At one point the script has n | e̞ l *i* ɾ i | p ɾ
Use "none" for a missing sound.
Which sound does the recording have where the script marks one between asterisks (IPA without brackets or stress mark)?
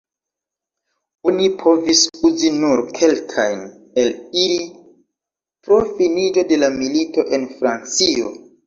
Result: i